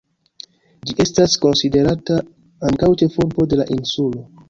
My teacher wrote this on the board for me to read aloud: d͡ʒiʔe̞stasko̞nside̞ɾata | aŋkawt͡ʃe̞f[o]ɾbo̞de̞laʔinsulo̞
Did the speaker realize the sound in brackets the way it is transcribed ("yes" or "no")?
no